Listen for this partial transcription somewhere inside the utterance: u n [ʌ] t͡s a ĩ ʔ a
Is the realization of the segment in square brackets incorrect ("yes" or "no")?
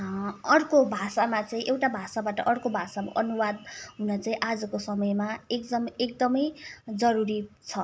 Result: no